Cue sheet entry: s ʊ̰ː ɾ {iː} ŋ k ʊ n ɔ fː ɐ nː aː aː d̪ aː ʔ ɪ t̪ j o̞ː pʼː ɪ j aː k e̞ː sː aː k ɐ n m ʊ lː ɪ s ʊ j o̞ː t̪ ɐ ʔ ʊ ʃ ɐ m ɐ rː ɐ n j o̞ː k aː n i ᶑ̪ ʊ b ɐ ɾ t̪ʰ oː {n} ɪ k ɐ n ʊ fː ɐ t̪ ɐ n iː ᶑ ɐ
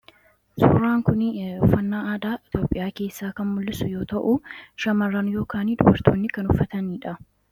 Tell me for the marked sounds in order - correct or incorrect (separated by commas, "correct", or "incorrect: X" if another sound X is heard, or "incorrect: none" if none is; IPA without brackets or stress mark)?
incorrect: aː, incorrect: nː